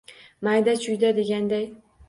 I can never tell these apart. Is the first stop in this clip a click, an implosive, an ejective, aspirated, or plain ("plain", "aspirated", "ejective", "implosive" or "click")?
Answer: plain